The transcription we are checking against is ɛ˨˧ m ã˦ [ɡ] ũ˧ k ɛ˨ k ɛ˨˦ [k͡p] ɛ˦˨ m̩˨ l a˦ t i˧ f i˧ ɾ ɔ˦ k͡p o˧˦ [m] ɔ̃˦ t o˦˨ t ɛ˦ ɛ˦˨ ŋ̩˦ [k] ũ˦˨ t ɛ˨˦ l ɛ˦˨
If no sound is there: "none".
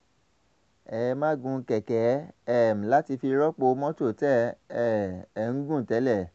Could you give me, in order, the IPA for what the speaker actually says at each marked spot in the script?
ɡ, none, m, ɡ

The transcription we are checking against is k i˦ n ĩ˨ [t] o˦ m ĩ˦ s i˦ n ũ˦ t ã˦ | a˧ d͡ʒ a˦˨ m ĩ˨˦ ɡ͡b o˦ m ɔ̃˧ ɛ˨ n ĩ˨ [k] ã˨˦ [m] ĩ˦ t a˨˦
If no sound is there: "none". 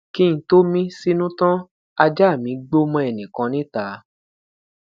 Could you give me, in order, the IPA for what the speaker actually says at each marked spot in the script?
t, k, n

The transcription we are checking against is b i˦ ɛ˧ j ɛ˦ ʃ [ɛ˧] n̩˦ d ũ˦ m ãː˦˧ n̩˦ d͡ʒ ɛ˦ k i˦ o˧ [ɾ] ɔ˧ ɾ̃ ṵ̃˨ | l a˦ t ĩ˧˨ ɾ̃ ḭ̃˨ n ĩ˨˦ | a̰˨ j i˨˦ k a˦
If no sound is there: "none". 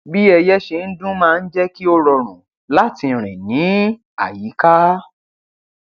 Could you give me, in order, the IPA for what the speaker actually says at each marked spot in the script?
e˧, ɾ

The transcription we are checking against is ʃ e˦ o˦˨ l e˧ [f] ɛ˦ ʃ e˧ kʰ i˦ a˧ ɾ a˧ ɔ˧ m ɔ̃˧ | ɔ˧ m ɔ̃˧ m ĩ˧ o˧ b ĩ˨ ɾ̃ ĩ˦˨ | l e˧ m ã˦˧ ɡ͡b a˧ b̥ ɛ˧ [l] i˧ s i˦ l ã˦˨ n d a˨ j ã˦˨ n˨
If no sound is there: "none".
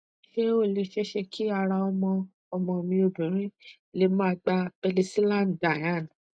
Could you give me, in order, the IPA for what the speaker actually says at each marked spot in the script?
ʃ, l

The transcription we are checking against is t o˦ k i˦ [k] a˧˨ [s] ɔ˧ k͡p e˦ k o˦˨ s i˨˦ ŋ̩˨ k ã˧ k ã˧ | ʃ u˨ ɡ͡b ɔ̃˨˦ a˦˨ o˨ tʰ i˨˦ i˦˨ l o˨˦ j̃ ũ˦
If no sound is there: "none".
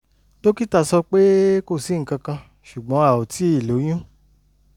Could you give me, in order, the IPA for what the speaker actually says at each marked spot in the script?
t, s

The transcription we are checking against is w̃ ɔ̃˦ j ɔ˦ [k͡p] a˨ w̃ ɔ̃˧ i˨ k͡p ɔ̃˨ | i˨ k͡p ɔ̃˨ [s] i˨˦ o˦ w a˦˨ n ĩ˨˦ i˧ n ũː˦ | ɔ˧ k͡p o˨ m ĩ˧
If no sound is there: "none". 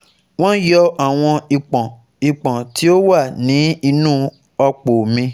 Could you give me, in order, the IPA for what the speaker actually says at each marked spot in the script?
none, t

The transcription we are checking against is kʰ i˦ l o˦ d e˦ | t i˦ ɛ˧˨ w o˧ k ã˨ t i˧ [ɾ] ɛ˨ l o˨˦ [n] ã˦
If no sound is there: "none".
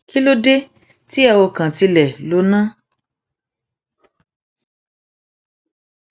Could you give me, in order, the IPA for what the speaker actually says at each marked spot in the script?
l, n

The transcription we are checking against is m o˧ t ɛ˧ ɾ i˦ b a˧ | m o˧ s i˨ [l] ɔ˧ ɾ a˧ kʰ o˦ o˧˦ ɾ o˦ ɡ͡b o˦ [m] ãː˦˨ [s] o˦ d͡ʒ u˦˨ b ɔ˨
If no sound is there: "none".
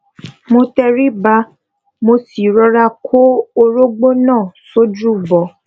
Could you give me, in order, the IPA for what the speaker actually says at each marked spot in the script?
ɾ, n, s

